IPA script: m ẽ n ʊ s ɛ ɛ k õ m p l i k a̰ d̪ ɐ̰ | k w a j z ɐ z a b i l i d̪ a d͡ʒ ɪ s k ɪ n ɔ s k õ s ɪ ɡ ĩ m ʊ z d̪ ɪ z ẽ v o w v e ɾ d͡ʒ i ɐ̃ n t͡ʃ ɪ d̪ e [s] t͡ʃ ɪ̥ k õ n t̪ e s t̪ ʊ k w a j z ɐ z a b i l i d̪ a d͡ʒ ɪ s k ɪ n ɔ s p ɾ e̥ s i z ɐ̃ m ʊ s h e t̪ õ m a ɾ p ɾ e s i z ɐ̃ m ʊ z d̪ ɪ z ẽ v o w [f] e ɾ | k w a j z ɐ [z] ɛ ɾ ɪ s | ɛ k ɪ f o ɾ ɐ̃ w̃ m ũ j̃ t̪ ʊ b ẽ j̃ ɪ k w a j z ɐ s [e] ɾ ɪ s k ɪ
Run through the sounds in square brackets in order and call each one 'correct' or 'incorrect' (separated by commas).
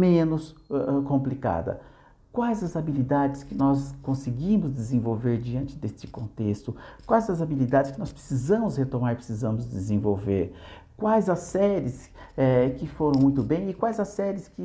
correct, incorrect, incorrect, incorrect